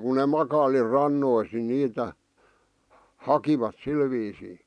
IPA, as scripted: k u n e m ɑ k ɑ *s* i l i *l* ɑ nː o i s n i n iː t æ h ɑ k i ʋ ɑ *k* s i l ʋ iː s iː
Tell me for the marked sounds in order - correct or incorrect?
incorrect, incorrect, incorrect

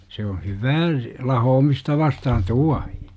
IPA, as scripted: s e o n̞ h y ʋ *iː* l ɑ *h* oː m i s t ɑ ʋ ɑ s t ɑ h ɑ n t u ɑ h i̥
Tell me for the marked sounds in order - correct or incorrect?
incorrect, correct

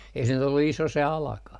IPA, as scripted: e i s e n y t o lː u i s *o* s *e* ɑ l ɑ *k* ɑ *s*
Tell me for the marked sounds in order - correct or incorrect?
correct, correct, correct, incorrect

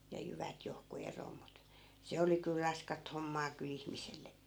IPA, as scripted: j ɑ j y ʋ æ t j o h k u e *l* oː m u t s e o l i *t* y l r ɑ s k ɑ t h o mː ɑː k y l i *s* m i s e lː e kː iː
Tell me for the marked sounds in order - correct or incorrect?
incorrect, incorrect, incorrect

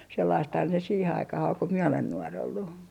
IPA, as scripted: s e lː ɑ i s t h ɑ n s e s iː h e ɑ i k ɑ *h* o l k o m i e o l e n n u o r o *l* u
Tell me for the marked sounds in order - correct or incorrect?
correct, incorrect

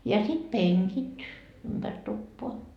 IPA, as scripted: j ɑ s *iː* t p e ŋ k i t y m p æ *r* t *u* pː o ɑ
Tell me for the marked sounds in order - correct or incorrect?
incorrect, correct, correct

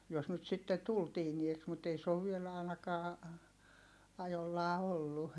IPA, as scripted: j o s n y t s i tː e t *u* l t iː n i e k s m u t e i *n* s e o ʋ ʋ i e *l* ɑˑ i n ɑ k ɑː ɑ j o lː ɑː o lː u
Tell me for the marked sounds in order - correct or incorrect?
correct, incorrect, correct

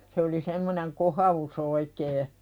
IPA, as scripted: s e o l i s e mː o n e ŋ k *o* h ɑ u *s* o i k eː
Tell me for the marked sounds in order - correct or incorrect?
correct, correct

